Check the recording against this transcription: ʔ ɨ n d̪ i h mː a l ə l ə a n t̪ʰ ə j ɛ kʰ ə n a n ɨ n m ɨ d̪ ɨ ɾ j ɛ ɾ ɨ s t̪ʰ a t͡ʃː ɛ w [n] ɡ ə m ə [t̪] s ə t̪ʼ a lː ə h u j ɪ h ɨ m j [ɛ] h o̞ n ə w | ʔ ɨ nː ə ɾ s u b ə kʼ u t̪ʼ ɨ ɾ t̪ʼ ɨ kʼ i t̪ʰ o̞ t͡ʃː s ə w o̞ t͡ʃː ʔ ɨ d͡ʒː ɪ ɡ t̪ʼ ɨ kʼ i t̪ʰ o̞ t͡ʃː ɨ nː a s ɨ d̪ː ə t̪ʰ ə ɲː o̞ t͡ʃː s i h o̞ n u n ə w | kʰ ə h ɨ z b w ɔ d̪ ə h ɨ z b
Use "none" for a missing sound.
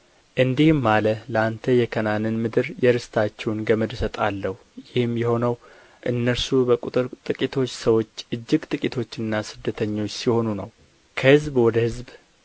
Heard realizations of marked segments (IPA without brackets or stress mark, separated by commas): n, d̪, ɛ